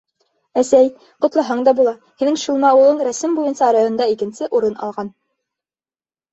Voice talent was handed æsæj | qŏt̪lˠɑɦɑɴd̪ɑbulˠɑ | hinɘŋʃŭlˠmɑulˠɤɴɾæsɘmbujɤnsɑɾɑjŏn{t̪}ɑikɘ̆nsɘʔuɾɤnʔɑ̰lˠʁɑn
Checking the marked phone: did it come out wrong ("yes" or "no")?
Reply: yes